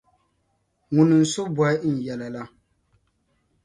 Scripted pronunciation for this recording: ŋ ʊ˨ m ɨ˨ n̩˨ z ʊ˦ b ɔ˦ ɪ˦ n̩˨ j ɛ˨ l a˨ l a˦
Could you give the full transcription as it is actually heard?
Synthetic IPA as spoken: ŋ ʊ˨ n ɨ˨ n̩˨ s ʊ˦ b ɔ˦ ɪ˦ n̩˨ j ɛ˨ l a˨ l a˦